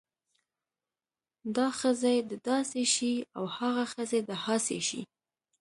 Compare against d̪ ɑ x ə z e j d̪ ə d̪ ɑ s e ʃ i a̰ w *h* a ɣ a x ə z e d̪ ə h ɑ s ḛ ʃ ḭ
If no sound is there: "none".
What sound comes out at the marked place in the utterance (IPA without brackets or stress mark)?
h